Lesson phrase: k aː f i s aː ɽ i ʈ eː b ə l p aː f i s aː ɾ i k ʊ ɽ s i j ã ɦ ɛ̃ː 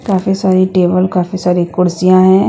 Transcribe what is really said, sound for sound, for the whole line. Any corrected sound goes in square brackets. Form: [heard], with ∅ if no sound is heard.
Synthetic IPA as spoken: k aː f i s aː [ɾ] i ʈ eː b ə l [k] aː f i s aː ɾ i k ʊ ɽ s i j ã ɦ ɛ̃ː